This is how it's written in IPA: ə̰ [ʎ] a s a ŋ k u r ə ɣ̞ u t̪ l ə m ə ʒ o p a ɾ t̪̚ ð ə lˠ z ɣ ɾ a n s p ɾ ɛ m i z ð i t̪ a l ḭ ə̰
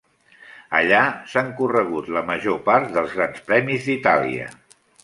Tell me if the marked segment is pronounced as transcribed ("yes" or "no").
yes